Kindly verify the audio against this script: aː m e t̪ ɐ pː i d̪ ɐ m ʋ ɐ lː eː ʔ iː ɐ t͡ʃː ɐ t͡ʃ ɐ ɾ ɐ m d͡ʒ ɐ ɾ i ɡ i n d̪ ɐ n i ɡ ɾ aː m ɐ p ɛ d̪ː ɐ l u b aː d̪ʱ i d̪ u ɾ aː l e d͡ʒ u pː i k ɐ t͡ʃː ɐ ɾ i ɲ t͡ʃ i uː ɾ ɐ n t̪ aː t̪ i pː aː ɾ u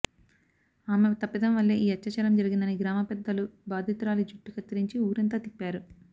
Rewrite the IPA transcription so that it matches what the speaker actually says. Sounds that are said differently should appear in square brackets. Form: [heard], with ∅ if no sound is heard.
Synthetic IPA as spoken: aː m e t̪ ɐ pː i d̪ ɐ m ʋ ɐ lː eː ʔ iː ɐ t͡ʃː ɐ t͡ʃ ɐ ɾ ɐ m d͡ʒ ɐ ɾ i ɡ i n d̪ ɐ n i ɡ ɾ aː m ɐ p ɛ d̪ː ɐ l u b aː d̪ʱ i [t̪] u ɾ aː l [i] d͡ʒ u [ʈː] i k ɐ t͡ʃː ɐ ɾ i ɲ t͡ʃ i uː ɾ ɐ n t̪ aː t̪ i pː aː ɾ u